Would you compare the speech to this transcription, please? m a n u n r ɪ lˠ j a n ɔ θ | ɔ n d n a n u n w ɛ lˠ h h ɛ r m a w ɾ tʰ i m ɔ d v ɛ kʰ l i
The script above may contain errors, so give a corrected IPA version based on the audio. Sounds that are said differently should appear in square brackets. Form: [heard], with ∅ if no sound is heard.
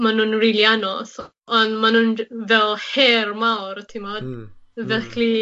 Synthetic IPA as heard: m a n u n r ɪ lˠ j a n ɔ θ | ɔ n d [m] a n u n [v] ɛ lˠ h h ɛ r m a w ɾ tʰ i m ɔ d v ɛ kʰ l i